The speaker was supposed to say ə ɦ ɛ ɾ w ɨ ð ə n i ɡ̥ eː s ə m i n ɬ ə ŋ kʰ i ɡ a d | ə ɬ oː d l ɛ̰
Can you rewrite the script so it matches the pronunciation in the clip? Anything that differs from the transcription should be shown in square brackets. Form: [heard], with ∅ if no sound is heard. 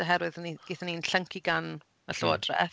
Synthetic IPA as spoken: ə ɦ ɛ ɾ w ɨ ð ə n i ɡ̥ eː [θ] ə [n] i n ɬ ə ŋ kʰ i ɡ a [n] | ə ɬ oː d [r] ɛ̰